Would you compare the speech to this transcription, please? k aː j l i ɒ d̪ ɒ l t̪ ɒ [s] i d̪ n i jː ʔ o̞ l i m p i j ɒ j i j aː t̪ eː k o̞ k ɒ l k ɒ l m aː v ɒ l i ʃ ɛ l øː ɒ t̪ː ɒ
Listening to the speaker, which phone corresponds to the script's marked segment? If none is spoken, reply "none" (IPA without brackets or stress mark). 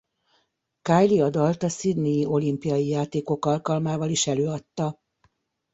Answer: s